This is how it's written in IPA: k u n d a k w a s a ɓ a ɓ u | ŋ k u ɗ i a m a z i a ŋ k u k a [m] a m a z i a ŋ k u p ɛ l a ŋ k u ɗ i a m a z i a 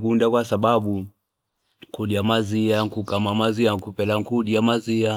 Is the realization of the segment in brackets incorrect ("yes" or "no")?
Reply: no